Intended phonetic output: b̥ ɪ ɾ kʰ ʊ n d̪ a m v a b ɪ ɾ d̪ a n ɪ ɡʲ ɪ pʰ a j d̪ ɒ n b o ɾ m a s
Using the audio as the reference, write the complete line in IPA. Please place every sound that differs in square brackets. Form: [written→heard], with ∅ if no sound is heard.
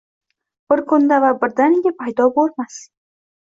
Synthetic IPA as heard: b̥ ɪ ɾ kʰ ʊ n d̪ a [m→∅] v a b ɪ ɾ d̪ a n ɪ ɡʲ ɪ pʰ a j d̪ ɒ [n→∅] b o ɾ m a s